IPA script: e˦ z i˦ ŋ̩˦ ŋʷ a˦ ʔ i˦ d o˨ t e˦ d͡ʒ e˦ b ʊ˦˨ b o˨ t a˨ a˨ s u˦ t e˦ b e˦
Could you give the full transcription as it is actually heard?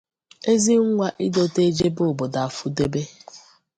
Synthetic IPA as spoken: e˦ z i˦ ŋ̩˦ ŋʷ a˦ ʔ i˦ d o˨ t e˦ d͡ʒ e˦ b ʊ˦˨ b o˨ d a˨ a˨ f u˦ d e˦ b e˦